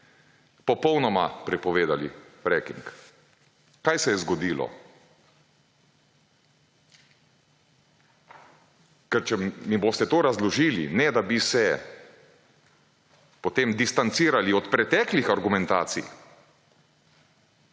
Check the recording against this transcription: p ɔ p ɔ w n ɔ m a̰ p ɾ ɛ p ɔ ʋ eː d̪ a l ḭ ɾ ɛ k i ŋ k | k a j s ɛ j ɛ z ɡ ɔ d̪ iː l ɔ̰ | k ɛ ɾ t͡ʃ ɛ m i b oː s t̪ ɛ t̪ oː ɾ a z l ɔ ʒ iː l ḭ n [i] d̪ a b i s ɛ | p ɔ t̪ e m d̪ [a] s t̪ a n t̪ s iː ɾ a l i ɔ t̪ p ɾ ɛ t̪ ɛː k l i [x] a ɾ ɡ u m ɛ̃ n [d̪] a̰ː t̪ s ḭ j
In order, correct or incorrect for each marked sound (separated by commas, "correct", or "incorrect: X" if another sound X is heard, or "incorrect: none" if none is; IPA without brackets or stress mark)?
incorrect: ɛ, incorrect: i, correct, incorrect: t̪